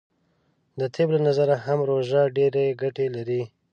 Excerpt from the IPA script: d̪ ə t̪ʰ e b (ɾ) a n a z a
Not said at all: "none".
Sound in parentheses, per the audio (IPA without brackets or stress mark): l